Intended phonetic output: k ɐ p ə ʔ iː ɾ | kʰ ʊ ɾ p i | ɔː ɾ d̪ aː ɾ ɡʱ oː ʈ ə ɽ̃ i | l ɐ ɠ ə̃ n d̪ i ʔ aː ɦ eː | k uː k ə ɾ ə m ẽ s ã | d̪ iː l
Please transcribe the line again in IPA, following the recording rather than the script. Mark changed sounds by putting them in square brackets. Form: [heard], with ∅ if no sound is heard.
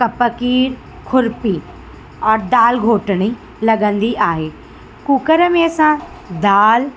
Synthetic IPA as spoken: k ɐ p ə [k] iː ɾ | kʰ ʊ ɾ p i | ɔː ɾ d̪ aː [l] ɡʱ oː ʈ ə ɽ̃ i | l ɐ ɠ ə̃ n d̪ i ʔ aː ɦ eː | k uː k ə ɾ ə m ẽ s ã | d̪ [aː] l